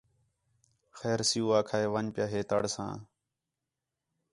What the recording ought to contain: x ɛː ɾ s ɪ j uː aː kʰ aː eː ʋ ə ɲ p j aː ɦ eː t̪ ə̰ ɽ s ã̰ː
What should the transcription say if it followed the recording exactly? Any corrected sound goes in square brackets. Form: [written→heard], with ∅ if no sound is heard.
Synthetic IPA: x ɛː ɾ s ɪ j uː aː kʰ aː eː ʋ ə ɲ p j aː ɦ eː t̪ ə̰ ɽ s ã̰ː